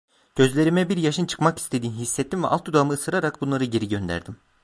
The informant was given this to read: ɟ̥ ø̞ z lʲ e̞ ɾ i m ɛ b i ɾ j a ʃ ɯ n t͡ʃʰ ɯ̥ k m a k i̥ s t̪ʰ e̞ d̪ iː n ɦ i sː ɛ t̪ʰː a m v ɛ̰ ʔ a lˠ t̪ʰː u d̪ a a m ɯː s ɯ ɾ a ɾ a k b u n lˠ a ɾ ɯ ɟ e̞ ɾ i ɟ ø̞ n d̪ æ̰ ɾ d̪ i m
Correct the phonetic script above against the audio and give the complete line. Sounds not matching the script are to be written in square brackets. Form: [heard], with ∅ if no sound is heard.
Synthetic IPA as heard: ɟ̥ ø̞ z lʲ e̞ ɾ i m ɛ b i ɾ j a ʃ ɯ n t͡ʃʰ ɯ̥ k m a k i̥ s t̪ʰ e̞ d̪ iː n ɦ i sː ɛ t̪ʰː [i] m v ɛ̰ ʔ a lˠ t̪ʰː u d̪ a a m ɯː s ɯ ɾ a ɾ a k b u n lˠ a ɾ ɯ ɟ e̞ ɾ i ɟ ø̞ n d̪ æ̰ ɾ d̪ i m